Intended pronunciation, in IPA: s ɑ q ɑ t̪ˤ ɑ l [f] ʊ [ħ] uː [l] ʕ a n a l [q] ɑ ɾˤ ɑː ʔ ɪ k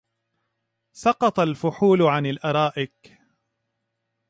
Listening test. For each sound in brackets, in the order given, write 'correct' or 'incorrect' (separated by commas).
correct, correct, correct, incorrect